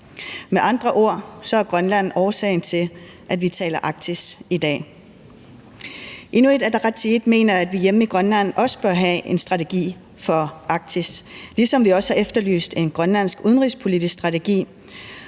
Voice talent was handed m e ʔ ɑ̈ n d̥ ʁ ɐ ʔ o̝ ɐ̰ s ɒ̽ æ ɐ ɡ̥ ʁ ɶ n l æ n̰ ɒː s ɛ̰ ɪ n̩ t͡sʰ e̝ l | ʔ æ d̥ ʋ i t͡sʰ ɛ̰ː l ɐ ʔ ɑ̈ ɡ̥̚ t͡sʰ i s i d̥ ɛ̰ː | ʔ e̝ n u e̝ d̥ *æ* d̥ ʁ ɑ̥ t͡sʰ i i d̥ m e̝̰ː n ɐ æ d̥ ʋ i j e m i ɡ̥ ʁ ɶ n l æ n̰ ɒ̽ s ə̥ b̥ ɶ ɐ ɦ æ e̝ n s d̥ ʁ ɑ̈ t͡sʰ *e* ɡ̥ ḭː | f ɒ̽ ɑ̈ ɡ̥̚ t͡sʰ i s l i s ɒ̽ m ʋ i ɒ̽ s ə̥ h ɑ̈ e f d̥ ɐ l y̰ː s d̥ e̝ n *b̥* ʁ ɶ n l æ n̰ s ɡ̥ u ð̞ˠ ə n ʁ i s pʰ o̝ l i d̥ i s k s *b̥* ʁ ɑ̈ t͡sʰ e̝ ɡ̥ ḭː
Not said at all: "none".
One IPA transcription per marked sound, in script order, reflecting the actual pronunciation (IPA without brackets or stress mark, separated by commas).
æ, e, ɡ̥, d̥